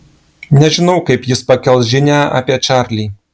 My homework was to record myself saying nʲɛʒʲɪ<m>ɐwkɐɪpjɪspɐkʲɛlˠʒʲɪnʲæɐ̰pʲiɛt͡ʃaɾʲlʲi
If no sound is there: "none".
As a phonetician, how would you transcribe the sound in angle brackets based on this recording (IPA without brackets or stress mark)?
n